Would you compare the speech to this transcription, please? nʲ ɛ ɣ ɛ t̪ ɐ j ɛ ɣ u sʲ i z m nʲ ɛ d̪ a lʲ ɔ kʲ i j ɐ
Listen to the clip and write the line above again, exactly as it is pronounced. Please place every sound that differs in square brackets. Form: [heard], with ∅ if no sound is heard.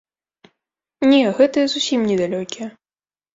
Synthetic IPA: nʲ ɛ ɣ ɛ t̪ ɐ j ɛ [z] u sʲ i [∅] m nʲ ɛ d̪ a lʲ ɔ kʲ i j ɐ